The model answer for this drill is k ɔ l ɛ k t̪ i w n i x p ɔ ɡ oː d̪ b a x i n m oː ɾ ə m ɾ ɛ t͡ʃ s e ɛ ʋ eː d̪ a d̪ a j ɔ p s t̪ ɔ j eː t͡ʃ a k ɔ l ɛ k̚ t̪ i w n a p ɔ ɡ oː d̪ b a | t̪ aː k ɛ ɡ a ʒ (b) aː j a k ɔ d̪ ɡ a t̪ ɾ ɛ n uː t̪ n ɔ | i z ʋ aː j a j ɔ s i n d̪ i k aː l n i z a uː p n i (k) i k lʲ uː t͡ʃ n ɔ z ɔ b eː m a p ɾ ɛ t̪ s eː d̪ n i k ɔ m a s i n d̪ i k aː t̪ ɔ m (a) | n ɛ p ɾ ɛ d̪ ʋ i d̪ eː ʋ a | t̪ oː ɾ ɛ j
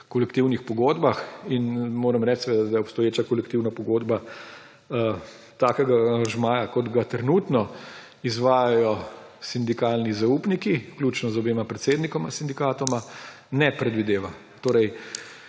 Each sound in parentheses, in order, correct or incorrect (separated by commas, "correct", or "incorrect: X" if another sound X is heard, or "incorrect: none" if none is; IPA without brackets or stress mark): incorrect: m, correct, correct